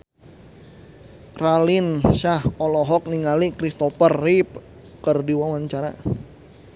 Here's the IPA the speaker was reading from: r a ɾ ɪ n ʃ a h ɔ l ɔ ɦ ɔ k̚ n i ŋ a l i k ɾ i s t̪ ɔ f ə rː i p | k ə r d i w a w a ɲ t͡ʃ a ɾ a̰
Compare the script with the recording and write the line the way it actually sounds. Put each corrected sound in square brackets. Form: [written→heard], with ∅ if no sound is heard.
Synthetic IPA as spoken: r a [ɾ→l] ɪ n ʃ a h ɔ l ɔ ɦ ɔ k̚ n i ŋ a l i k ɾ i s t̪ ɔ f ə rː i p | k ə r d i w a w a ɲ t͡ʃ a ɾ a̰